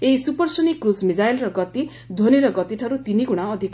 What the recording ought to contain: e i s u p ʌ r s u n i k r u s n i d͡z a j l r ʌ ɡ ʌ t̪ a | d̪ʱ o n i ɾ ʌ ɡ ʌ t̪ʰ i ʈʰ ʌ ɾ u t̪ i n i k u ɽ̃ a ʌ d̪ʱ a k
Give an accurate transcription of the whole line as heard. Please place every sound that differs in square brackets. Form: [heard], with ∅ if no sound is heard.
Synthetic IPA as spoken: e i s u p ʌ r s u n i k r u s [m] i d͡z a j l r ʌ ɡ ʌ t̪ [i] | d̪ʱ o n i ɾ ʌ ɡ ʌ [t̪] i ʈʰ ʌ ɾ u t̪ i n i [ɡ] u ɽ̃ a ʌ d̪ʱ [i] k